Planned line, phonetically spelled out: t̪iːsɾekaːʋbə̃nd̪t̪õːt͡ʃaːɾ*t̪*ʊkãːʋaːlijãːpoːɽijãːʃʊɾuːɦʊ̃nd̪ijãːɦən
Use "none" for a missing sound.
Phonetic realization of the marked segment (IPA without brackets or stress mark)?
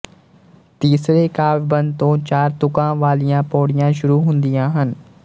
t̪